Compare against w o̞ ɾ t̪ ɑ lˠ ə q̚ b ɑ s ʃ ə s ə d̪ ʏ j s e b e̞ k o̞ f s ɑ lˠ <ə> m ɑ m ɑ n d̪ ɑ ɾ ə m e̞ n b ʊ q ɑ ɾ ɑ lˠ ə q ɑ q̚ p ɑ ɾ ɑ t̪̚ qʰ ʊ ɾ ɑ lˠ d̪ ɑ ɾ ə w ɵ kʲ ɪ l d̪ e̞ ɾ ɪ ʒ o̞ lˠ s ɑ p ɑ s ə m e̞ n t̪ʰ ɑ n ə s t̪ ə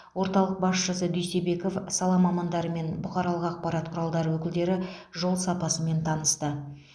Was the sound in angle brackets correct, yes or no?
no